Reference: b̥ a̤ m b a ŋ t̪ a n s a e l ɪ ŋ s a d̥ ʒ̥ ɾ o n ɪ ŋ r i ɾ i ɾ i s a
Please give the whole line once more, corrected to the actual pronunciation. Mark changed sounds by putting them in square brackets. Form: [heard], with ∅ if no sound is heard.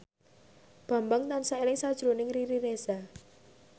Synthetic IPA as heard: b̥ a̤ m b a ŋ t̪ a n s a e l ɪ ŋ s a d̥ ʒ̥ ɾ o n ɪ ŋ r i ɾ i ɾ [e] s a